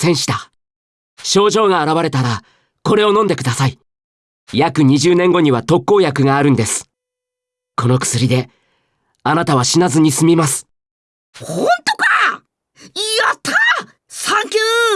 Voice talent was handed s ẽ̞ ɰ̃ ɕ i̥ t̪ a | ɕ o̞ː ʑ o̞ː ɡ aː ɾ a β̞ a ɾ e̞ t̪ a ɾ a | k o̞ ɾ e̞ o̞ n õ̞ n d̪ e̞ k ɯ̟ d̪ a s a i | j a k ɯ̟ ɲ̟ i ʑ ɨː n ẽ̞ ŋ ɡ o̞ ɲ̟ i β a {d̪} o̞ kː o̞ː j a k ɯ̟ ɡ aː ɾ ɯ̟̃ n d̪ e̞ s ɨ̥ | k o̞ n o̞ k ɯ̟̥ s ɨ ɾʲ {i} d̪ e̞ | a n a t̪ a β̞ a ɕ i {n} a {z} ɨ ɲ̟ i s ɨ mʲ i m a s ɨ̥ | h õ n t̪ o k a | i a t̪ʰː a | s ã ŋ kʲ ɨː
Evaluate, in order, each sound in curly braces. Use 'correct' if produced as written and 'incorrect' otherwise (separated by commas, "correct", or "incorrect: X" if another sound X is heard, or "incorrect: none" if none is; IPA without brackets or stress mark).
incorrect: t̪, correct, correct, correct